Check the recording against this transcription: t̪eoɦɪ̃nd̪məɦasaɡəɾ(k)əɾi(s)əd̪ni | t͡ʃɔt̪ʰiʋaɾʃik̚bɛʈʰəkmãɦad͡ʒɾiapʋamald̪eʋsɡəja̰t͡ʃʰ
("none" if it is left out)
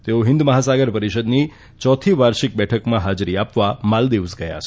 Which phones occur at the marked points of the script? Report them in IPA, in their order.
p, ʃ

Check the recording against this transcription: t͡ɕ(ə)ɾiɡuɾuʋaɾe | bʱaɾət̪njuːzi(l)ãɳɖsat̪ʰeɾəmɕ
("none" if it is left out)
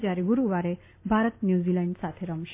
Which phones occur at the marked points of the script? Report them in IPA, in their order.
a, l

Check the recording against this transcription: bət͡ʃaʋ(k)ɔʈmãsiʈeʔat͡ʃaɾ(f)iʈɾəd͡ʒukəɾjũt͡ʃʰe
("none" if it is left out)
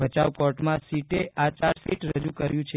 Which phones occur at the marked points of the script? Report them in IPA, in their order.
k, f

